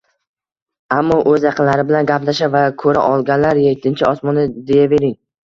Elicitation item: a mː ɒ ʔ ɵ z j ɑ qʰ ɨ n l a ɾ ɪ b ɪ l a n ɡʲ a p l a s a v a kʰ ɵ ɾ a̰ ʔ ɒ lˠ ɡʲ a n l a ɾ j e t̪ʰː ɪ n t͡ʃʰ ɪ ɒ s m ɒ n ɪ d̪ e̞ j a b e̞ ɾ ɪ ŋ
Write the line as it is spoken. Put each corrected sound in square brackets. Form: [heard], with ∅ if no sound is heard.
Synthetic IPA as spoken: a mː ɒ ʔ ɵ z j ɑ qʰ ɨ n l a ɾ ɪ b ɪ l a n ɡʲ a p l a [ʃ] a v a kʰ ɵ ɾ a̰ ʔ ɒ lˠ ɡʲ a n l a ɾ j e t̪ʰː ɪ n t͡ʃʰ ɪ ɒ s m ɒ n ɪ d̪ e̞ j a [v] e̞ ɾ ɪ ŋ